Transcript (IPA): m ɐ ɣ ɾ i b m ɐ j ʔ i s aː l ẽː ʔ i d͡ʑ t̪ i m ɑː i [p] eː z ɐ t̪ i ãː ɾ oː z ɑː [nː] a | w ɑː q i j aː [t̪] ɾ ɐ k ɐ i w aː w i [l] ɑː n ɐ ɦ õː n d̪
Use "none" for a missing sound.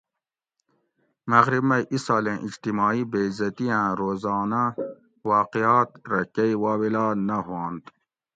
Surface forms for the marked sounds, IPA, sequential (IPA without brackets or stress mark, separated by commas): b, n, t̪, l